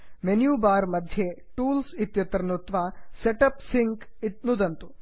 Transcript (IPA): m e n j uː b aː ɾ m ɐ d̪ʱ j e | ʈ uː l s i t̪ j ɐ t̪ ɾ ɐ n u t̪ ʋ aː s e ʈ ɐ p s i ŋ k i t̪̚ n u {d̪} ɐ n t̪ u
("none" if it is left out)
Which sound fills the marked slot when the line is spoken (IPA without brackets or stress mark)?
d̪